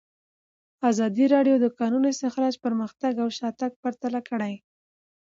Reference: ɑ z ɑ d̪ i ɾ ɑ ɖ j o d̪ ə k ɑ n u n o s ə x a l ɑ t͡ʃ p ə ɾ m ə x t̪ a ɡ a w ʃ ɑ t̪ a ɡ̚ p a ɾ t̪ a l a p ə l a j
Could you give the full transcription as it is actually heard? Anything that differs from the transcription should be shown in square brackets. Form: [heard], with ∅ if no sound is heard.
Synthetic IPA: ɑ z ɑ d̪ i ɾ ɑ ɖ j o d̪ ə k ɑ n u n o s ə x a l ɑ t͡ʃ p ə ɾ m ə x t̪ a ɡ a w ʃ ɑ t̪ a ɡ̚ p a ɾ t̪ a l a [k] ə [ɽ] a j